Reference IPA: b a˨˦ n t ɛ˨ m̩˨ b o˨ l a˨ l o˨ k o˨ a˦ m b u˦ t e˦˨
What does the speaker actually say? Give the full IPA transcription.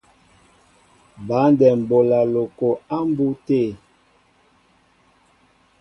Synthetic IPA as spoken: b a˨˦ n d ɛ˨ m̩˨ b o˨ l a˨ l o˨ k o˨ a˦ m b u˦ t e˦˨